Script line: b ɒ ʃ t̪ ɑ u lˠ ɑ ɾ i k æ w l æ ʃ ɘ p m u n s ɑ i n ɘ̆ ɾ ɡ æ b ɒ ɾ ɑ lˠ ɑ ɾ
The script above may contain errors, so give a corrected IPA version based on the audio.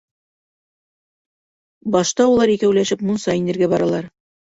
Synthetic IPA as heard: b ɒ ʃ t̪ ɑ u lˠ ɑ ɾ i k æ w l æ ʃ ɘ p m u n s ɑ i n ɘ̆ ɾ ɡ æ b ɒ ɾ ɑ lˠ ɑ ɾ